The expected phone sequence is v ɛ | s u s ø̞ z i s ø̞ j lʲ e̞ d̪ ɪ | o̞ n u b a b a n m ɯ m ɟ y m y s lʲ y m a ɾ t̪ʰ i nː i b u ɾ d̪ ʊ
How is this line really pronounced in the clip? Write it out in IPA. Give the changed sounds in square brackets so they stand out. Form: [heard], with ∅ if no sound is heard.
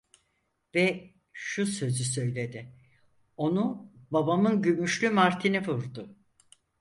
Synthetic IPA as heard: v ɛ | [ʃ] u s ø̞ z [y] s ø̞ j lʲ e̞ d̪ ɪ | o̞ n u b a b a [∅] m ɯ [n] ɟ y m y [ʃ] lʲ y m a ɾ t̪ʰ i [n] i [v] u ɾ d̪ ʊ

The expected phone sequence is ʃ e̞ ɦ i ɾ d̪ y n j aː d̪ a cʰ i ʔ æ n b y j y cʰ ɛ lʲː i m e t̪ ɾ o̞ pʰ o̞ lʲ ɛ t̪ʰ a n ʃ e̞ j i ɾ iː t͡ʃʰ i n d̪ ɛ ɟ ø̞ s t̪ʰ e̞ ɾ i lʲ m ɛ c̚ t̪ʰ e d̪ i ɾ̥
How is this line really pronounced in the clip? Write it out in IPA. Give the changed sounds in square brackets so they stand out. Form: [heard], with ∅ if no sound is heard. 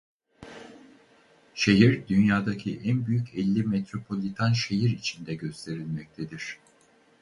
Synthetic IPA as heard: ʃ e̞ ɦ i ɾ d̪ y n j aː d̪ a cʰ i ʔ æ n b y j y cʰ ɛ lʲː i m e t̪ ɾ o̞ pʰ o̞ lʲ [i] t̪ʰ a n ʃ e̞ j i ɾ [i] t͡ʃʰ i n d̪ ɛ ɟ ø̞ s t̪ʰ e̞ ɾ i lʲ m ɛ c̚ t̪ʰ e d̪ i ɾ̥

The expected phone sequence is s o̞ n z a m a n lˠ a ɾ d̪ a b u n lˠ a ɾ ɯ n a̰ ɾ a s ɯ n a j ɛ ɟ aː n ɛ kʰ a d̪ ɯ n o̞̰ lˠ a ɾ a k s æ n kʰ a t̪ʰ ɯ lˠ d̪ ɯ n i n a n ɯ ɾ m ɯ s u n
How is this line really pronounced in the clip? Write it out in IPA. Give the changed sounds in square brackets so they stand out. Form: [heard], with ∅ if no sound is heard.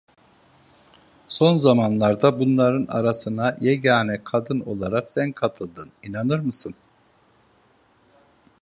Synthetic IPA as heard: s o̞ n z a m a n lˠ a ɾ d̪ a b u n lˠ a ɾ ɯ n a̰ ɾ a s ɯ n a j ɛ ɟ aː n ɛ kʰ a d̪ ɯ n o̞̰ lˠ a ɾ a k s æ n kʰ a t̪ʰ ɯ lˠ d̪ ɯ n i n a n ɯ ɾ m ɯ s [ɯ] n

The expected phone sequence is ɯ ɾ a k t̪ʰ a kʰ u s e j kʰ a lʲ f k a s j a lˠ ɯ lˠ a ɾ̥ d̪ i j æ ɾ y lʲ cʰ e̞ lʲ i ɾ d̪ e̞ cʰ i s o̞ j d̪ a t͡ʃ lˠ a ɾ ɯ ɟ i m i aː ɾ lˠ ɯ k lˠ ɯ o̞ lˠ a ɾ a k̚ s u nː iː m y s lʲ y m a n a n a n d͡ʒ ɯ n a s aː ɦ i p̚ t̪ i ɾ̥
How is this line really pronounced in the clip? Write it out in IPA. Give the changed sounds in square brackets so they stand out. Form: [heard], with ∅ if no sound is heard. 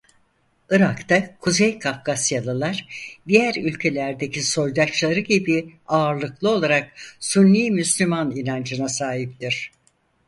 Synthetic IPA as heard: ɯ ɾ a k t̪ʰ a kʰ u [z] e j kʰ a [∅] f k a s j a lˠ ɯ lˠ a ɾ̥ d̪ i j æ ɾ y lʲ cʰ e̞ lʲ [æ] ɾ d̪ e̞ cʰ i s o̞ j d̪ a t͡ʃ lˠ a ɾ ɯ ɟ i [b] i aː ɾ lˠ ɯ k lˠ ɯ o̞ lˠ a ɾ a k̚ s u nː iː m y s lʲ y m a n [i] n a n d͡ʒ ɯ n a s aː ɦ i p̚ t̪ i ɾ̥

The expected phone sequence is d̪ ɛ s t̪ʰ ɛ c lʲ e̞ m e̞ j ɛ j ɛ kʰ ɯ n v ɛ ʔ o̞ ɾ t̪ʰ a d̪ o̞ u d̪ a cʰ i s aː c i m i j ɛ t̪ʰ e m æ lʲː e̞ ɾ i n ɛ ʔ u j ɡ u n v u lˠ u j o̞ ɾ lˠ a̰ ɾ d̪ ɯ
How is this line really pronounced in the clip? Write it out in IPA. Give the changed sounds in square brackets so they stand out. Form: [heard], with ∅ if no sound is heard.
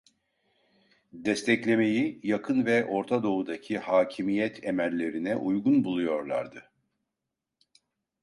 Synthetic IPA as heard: d̪ ɛ s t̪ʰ ɛ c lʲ e̞ m e̞ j [i] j [a] kʰ ɯ n v ɛ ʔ o̞ ɾ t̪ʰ a d̪ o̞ u d̪ a cʰ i [h] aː [cʰ] i m i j ɛ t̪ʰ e m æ lʲː e̞ ɾ i n ɛ ʔ u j ɡ u n [b] u lˠ u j o̞ ɾ lˠ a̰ ɾ d̪ ɯ

